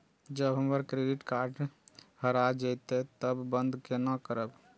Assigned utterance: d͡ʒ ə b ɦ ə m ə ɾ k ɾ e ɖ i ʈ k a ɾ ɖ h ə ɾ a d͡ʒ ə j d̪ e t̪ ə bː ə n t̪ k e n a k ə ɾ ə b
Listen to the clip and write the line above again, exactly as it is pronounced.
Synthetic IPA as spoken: d͡ʒ ə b ɦ ə m ə ɾ k ɾ e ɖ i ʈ k a ɾ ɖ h ə ɾ a d͡ʒ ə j t̪ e t̪ ə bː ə n d̪ k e n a k ə ɾ ə b